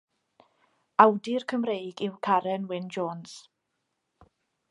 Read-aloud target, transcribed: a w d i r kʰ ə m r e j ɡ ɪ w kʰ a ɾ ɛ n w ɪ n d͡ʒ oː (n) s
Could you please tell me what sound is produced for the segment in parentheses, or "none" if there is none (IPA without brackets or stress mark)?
n